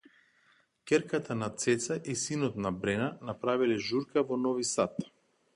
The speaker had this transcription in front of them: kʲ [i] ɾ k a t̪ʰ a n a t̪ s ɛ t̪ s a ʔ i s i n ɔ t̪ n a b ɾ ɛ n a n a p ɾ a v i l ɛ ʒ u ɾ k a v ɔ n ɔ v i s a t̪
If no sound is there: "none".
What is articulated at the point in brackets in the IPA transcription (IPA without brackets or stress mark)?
ɛ